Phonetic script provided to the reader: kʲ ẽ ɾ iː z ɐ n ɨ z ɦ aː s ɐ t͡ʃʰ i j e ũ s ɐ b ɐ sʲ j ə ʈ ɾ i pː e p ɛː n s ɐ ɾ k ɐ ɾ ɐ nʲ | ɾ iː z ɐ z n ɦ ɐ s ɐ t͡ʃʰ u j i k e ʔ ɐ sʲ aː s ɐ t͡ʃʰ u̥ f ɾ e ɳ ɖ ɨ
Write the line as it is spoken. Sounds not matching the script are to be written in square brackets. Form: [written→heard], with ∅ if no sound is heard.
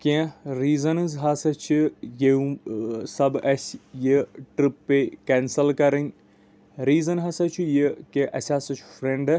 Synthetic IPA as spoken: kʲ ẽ ɾ iː z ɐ n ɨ z ɦ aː s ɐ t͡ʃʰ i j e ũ s ɐ b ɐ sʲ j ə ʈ ɾ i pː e [p→k] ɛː n s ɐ [ɾ→l] k ɐ ɾ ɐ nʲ | ɾ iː z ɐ [z→∅] n ɦ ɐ s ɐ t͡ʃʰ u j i k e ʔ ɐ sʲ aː s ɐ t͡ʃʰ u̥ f ɾ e ɳ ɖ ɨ